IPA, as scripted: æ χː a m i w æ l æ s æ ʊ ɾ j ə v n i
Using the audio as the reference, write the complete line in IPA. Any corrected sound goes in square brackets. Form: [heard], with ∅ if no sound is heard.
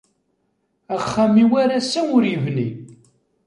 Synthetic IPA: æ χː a m i w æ [ɾ] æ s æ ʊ ɾ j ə v n i